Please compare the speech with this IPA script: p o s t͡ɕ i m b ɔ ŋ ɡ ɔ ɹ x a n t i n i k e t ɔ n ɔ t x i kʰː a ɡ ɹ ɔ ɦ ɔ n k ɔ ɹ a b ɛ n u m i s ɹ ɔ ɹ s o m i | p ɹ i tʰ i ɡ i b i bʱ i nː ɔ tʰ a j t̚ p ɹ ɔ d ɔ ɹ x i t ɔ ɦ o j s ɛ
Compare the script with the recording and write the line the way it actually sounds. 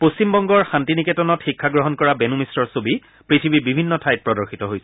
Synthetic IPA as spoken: p o s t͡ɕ i m b ɔ ŋ ɡ ɔ ɹ x a n t i n i k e t ɔ n ɔ t x i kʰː a ɡ ɹ ɔ ɦ ɔ n k ɔ ɹ a b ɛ n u m i s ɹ ɔ ɹ s o b i | p ɹ i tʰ i b i b i bʱ i nː ɔ tʰ a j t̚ p ɹ ɔ d ɔ ɹ x i t ɔ ɦ o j s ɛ